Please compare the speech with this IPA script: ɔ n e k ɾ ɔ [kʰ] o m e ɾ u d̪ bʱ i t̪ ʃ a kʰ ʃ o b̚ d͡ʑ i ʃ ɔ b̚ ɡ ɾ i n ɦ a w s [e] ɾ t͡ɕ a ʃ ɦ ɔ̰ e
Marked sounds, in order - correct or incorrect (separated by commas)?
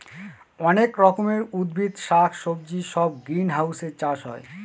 incorrect, correct